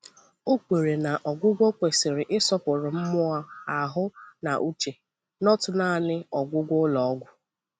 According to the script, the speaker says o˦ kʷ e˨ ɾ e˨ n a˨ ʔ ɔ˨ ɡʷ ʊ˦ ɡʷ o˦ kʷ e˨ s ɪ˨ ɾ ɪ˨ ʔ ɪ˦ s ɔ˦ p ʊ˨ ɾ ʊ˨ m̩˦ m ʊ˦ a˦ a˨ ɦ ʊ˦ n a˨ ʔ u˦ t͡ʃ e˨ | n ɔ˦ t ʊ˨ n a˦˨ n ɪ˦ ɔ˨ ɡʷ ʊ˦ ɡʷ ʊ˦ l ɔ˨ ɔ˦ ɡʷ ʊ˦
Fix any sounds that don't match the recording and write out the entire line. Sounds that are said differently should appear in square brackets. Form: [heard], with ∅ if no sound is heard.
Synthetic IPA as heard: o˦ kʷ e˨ ɾ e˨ n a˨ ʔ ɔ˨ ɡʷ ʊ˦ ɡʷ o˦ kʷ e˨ s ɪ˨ ɾ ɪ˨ ʔ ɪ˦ s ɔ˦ p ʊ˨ ɾ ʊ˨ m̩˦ m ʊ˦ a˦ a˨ ɦ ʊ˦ n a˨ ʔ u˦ t͡ʃ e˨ | n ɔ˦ t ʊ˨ n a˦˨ n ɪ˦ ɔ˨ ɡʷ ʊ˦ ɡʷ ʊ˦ l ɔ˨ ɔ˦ ɡʷ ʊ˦